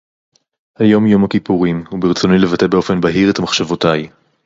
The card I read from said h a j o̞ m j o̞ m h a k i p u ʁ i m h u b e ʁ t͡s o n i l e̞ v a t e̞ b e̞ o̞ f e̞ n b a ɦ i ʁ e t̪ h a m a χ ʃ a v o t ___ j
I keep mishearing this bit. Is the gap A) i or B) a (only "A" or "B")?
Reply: B